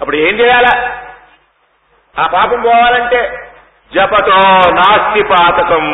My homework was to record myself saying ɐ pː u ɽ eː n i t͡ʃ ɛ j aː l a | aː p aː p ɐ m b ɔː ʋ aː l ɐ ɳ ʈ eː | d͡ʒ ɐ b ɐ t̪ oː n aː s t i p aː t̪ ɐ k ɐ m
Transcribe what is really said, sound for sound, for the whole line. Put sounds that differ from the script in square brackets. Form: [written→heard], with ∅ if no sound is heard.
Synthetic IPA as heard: ɐ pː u ɽ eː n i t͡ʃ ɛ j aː l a | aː p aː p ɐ m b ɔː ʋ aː l ɐ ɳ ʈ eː | d͡ʒ ɐ [b→p] ɐ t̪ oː n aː s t i p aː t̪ ɐ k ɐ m